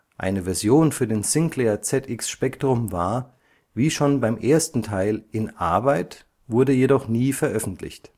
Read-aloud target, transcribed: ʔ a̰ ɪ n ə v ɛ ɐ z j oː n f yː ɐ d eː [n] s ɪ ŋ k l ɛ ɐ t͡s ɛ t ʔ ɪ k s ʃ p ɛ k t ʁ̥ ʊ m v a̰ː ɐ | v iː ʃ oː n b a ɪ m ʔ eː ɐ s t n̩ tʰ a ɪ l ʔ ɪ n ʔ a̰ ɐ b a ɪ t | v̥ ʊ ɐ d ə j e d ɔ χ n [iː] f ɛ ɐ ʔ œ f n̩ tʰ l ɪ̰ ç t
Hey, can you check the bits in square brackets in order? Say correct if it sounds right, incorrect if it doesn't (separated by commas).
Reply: correct, correct